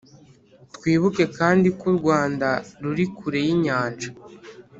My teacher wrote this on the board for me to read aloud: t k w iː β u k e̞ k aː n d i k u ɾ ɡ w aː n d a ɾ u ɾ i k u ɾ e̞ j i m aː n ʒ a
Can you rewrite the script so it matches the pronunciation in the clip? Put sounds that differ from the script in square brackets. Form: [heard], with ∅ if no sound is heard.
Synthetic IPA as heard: t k w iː β u k e̞ k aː n d i k u ɾ ɡ w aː n d a ɾ u ɾ i k u ɾ e̞ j i [ɲ] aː n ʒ a